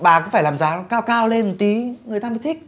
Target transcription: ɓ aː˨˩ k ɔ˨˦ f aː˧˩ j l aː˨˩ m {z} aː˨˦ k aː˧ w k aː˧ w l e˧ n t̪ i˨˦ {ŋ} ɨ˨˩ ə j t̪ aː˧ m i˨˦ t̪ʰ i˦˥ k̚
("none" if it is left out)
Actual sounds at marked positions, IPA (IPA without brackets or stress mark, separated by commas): z, ŋ